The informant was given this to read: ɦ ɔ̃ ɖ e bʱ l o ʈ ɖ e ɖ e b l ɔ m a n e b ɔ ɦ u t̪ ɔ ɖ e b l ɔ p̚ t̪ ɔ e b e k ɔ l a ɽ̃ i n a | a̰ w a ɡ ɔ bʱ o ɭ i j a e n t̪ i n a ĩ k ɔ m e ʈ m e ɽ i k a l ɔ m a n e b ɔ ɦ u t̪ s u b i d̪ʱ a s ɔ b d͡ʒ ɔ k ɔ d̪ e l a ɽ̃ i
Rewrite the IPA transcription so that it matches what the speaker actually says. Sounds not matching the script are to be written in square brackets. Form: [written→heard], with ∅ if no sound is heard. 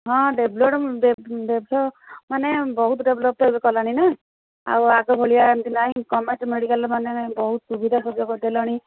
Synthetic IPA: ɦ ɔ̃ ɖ e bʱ l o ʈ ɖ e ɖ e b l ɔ m a n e b ɔ ɦ u t̪ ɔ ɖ e b l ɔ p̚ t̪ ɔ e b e k ɔ l a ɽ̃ i n a | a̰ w a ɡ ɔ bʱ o ɭ i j a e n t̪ i n a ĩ k ɔ m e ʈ m e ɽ i k a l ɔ m a n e b ɔ ɦ u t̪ s u b i d̪ʱ a s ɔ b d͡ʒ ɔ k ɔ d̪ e l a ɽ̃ i